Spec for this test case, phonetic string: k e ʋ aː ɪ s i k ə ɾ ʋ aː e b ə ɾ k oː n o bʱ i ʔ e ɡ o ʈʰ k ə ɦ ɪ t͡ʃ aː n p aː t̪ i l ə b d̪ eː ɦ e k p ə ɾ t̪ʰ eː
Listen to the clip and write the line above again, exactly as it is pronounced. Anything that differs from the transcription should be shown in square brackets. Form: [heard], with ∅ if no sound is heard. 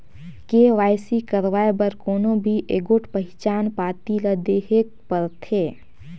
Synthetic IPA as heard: k e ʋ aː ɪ s i k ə ɾ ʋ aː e b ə ɾ k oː n o bʱ i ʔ e ɡ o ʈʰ [p] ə ɦ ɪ t͡ʃ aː n p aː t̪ i l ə [∅] d̪ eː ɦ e k p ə ɾ t̪ʰ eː